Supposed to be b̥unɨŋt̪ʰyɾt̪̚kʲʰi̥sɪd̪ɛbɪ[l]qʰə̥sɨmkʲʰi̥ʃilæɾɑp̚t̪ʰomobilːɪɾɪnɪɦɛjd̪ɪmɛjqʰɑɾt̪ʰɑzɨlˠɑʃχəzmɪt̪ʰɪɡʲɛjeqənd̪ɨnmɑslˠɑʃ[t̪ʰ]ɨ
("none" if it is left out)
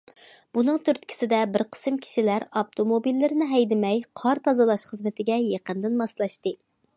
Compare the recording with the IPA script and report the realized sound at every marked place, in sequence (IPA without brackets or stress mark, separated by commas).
ɾ, t̪